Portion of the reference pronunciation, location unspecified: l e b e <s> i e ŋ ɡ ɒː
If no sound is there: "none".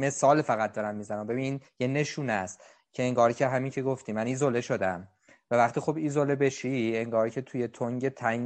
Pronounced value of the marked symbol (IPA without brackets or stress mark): ʃ